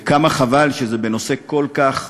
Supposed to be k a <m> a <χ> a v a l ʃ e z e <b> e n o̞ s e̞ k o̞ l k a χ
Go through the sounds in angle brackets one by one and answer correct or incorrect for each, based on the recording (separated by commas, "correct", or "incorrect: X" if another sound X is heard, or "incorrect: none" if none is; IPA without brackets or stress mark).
correct, correct, correct